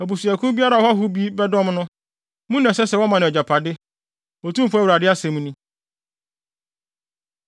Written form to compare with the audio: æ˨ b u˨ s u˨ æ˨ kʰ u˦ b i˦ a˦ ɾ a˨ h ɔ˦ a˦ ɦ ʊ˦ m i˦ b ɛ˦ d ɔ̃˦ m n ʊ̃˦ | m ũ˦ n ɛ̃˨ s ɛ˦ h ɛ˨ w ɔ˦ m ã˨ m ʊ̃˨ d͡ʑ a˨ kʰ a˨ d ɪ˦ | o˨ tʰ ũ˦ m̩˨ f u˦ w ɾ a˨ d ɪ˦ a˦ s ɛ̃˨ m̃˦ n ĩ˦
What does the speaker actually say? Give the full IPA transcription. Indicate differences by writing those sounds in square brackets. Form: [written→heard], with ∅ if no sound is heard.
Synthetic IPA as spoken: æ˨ b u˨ s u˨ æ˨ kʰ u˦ b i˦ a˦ ɾ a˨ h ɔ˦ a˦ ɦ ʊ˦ [m→b] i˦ b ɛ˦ d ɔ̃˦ m n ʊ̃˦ | m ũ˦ n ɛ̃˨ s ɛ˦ [h→s] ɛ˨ w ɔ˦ m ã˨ [m→n] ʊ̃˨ d͡ʑ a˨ [kʰ→pʰ] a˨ d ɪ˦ | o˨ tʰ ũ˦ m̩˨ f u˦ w ɾ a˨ d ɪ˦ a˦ s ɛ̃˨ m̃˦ n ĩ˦